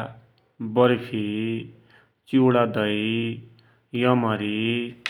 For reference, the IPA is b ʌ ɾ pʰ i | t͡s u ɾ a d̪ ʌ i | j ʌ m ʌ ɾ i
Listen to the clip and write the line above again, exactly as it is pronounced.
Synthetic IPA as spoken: b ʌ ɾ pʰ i | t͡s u ɽ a d̪ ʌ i | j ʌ m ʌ ɾ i